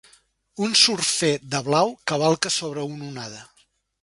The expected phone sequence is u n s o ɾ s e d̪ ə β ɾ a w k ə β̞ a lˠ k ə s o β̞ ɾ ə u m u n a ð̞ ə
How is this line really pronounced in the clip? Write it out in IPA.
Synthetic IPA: u n s u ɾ f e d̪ ə β l a w k ə β̞ a lˠ k ə s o β̞ ɾ ə u n u n a ð̞ ə